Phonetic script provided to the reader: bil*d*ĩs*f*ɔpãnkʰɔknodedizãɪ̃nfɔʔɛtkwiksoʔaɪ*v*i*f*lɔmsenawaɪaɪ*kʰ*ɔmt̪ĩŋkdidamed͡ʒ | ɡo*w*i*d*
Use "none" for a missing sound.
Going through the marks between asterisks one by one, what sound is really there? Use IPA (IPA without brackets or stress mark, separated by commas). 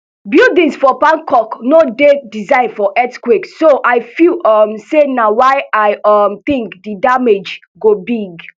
d, f, f, none, none, b, ɡ